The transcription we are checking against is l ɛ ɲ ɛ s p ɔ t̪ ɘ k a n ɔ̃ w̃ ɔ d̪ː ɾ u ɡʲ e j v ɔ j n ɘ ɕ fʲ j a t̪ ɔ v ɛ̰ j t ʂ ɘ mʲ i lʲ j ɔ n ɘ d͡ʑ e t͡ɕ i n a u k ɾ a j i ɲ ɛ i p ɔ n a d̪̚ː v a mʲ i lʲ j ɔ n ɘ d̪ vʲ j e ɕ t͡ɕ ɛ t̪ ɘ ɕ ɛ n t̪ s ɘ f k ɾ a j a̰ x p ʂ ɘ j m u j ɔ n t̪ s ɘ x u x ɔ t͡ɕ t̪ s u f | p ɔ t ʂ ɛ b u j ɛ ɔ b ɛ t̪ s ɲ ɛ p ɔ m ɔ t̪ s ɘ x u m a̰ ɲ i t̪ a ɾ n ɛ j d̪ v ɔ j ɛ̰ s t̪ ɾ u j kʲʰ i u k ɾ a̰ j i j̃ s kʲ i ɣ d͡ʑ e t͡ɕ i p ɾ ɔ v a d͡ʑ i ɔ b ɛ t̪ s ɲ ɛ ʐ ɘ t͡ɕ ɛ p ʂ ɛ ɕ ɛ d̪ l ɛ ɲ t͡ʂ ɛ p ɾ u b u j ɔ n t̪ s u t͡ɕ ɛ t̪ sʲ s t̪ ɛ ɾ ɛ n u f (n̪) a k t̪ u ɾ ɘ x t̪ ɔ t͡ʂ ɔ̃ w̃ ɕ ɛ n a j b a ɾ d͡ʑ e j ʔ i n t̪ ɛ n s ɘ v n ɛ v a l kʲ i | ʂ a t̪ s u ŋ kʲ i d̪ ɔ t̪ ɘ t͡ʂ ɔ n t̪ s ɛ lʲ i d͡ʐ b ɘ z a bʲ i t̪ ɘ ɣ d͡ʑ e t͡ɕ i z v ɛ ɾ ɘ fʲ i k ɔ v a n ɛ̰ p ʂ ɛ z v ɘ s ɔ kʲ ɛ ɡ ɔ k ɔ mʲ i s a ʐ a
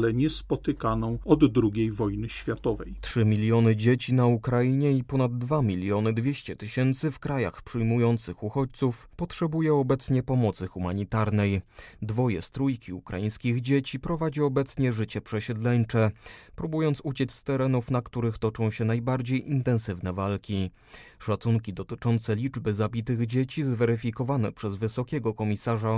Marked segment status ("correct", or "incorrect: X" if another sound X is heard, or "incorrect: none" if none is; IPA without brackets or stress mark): correct